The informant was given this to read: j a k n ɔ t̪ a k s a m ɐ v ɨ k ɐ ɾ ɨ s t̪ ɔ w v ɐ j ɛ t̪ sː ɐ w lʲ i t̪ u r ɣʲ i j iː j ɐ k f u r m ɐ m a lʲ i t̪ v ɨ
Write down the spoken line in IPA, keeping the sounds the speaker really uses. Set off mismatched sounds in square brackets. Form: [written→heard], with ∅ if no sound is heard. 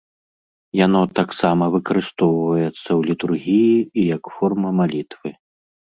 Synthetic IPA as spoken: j a [k→∅] n ɔ t̪ a k s a m ɐ v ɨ k ɐ ɾ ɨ s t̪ ɔ w v ɐ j ɛ t̪ sː ɐ w lʲ i t̪ u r ɣʲ i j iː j ɐ k f [u→ɔ] r m ɐ m a lʲ i t̪ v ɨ